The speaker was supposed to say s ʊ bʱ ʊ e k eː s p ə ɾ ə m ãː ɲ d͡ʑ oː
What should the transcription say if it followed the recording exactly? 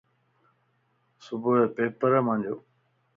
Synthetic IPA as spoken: s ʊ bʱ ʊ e p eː p ə ɾ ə m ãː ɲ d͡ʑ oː